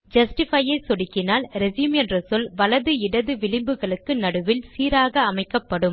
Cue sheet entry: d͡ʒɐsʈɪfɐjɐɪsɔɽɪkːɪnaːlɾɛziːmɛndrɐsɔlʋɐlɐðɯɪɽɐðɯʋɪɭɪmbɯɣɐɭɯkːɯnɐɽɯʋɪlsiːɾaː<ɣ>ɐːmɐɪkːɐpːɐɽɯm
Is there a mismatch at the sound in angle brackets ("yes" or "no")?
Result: no